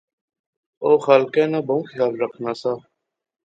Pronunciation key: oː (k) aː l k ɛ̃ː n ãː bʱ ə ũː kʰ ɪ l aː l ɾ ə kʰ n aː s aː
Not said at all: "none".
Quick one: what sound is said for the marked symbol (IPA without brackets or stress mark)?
x